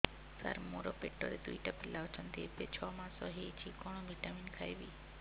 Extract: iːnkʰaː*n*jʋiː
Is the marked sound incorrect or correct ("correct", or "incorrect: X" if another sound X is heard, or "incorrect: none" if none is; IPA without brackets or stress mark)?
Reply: incorrect: none